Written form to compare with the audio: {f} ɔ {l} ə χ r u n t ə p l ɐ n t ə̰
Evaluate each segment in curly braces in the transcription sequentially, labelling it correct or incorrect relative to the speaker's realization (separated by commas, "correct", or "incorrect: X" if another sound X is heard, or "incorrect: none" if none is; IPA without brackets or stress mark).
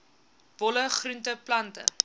incorrect: v, correct